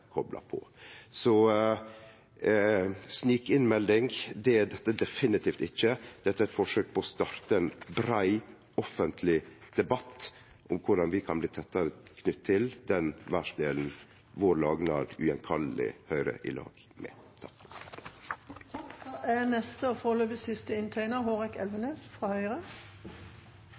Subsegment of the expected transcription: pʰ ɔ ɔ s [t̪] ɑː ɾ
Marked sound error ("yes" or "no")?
no